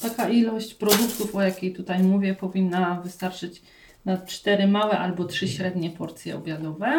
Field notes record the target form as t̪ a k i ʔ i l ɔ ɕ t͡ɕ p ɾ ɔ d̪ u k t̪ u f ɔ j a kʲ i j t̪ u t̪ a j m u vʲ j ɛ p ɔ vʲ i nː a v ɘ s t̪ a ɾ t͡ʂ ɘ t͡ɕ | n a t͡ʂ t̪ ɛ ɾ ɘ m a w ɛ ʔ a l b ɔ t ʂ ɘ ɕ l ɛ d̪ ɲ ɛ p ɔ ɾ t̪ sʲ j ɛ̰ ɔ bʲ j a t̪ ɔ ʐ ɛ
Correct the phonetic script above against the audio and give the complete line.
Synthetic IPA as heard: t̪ a k a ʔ i l ɔ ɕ t͡ɕ p ɾ ɔ d̪ u k t̪ u f ɔ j a kʲ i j t̪ u t̪ a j m u vʲ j ɛ p ɔ vʲ i nː a v ɘ s t̪ a ɾ t͡ʂ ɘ t͡ɕ | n a t͡ʂ t̪ ɛ ɾ ɘ m a w ɛ ʔ a l b ɔ t ʂ ɘ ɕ ɾ ɛ d̪ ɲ ɛ p ɔ ɾ t̪ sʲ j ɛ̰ ɔ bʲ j a d̪ ɔ v ɛ